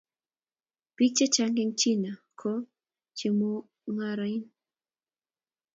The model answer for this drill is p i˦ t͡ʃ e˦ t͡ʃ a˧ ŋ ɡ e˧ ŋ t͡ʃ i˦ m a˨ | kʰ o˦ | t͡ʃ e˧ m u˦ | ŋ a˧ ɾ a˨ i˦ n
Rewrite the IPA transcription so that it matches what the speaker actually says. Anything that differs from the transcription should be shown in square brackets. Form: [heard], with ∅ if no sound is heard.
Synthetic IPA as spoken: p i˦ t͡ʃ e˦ t͡ʃ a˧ ŋ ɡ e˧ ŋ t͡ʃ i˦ [n] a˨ | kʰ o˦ | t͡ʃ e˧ m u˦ | ŋ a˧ ɾ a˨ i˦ n